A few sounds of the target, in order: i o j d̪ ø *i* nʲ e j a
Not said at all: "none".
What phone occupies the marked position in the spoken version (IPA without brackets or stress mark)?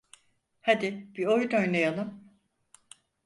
j